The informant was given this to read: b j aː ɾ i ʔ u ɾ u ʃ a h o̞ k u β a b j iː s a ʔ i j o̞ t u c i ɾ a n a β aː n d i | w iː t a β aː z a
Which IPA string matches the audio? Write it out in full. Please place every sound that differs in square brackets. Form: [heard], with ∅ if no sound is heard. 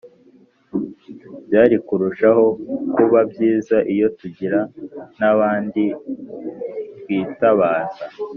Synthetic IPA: b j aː ɾ i [k] u ɾ u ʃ a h o̞ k u β a b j iː [z] a ʔ i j o̞ t u [ɟ] i ɾ a n a β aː n d i | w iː t a β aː z a

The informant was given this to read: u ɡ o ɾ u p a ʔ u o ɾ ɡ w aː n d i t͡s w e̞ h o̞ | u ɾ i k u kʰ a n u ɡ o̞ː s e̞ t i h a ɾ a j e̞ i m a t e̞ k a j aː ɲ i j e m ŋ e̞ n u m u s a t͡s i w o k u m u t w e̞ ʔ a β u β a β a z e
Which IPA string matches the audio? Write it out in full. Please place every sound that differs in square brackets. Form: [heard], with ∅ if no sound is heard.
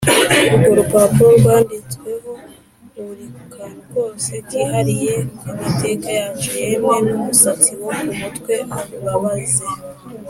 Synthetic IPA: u ɡ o ɾ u p a [p] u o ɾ ɡ w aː n d i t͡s w e̞ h o̞ | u ɾ i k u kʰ a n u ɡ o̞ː s e̞ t i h a ɾ [i] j e̞ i m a t e̞ k a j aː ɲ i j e m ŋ e̞ n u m u s a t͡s i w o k u m u t w e̞ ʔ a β u β a β a z e

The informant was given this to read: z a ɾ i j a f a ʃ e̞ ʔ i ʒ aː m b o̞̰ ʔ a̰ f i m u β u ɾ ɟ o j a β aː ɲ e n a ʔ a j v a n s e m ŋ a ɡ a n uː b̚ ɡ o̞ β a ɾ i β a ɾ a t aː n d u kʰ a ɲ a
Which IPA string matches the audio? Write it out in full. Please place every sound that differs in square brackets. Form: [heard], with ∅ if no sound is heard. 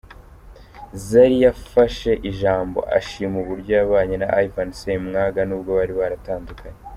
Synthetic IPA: z a ɾ i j a f a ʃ e̞ ʔ i ʒ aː m b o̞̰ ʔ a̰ [ʃ] i m u β u ɾ ɟ o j a β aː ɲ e n a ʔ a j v a n s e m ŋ a ɡ a n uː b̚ ɡ o̞ β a ɾ i β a ɾ a t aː n d u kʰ a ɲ [e]

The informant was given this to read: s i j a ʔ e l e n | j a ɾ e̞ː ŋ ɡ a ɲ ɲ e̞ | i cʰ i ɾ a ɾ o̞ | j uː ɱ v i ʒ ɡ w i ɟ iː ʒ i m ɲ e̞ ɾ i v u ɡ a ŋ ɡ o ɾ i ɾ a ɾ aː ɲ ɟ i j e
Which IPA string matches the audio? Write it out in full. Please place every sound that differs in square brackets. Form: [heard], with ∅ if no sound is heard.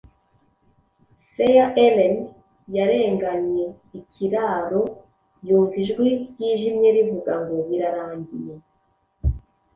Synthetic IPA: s [e] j a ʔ e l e n | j a ɾ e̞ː ŋ ɡ a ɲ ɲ e̞ | i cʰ i ɾ a ɾ o̞ | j uː ɱ v i ʒ ɡ w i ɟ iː ʒ i m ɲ e̞ ɾ i v u ɡ a ŋ ɡ o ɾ i ɾ a ɾ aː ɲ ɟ i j e

